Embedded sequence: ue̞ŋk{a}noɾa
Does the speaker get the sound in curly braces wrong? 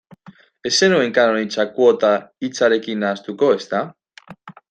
no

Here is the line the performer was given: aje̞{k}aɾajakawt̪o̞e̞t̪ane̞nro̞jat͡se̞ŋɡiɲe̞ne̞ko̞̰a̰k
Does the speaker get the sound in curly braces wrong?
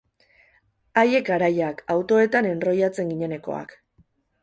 no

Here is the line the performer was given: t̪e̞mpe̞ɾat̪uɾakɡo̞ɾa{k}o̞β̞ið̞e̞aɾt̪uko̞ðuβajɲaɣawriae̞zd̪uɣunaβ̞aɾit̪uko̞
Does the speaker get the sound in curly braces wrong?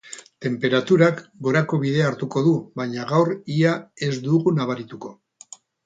no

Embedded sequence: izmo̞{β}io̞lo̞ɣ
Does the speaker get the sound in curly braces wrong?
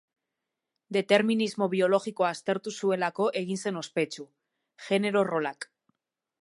no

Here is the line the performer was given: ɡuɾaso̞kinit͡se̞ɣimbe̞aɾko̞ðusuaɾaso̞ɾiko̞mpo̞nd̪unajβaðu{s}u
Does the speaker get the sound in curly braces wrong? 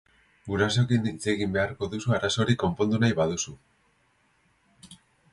no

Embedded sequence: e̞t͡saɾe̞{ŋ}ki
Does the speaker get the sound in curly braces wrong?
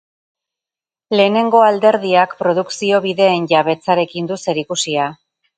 yes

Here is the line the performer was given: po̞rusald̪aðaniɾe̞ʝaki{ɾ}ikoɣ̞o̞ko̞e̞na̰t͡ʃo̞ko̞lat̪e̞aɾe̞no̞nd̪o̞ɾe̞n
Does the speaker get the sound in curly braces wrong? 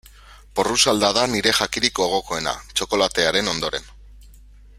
no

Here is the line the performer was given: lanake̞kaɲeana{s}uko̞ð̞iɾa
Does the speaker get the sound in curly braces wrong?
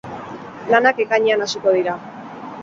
no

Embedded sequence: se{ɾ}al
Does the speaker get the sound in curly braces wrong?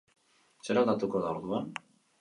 no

